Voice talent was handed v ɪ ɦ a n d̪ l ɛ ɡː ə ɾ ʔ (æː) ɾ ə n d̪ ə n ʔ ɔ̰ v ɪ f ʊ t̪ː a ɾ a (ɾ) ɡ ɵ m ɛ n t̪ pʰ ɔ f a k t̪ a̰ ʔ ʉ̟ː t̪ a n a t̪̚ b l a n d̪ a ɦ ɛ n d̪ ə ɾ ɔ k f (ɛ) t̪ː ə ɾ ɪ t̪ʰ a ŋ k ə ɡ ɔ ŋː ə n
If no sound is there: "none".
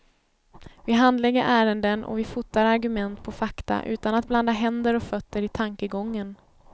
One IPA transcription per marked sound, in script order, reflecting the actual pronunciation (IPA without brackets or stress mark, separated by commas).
æː, ɾ, œ